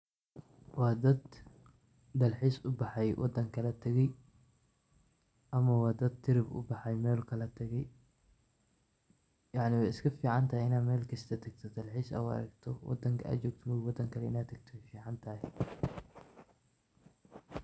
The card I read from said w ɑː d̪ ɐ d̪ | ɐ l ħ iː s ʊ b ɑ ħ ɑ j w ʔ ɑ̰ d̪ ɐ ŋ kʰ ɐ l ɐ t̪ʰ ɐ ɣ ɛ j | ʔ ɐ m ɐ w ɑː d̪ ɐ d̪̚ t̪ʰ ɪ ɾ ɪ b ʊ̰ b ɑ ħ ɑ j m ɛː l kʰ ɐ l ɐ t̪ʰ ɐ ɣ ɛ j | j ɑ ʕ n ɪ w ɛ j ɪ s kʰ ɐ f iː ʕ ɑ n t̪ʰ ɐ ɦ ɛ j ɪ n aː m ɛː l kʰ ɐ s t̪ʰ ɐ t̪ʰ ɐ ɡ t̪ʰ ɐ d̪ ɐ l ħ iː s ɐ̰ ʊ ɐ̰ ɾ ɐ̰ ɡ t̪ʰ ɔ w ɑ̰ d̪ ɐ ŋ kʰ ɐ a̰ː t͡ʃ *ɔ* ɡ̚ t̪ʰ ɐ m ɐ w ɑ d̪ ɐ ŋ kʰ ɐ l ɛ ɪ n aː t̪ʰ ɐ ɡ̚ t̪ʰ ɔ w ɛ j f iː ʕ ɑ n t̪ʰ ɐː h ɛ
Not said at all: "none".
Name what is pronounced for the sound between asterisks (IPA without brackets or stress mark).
ɔː